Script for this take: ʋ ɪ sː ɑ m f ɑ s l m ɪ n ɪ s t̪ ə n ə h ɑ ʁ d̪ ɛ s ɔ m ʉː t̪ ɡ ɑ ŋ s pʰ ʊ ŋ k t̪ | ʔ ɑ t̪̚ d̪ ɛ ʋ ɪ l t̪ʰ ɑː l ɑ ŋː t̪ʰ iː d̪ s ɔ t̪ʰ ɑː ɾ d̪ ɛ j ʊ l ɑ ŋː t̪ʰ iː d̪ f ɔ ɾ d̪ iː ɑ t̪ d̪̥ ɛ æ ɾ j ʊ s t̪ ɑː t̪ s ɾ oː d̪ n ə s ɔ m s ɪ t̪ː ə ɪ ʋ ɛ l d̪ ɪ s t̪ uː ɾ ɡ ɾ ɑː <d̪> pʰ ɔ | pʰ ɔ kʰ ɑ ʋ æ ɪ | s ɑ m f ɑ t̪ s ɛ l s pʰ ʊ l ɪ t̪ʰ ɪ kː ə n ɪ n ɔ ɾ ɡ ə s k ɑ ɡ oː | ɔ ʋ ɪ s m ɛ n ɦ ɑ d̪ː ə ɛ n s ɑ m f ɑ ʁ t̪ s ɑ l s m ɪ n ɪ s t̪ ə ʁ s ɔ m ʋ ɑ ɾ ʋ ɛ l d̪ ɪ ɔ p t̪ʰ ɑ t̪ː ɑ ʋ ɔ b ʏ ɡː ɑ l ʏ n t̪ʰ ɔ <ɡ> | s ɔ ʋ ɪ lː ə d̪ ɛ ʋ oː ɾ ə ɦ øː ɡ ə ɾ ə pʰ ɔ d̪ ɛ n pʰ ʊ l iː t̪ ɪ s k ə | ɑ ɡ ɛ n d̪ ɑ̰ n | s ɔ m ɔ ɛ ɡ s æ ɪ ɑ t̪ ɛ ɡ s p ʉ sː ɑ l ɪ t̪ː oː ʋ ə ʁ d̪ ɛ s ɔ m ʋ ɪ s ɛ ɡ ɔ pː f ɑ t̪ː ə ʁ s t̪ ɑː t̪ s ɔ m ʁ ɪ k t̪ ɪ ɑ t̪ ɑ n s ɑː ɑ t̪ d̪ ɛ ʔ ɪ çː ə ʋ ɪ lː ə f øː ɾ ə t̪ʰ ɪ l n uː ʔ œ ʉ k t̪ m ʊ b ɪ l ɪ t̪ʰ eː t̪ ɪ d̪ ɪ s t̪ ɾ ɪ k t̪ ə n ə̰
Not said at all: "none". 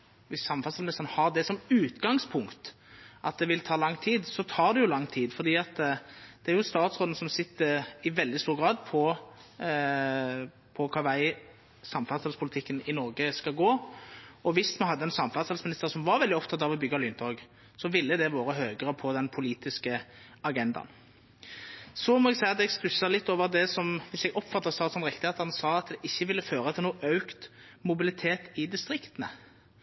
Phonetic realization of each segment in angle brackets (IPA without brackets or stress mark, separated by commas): d̪, ɡ